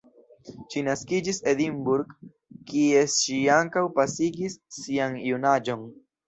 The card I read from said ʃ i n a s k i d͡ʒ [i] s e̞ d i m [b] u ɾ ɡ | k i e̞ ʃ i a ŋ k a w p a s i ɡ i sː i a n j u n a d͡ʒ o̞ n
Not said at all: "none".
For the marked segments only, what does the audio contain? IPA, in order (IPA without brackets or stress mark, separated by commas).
i, b